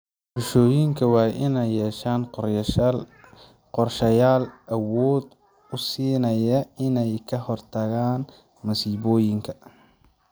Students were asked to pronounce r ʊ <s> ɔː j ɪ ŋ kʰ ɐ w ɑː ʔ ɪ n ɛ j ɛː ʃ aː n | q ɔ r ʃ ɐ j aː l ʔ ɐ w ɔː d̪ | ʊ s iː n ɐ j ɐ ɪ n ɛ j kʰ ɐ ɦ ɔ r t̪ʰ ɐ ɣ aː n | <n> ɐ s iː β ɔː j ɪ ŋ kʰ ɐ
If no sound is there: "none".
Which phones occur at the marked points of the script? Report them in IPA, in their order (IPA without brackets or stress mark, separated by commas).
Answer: ʃ, m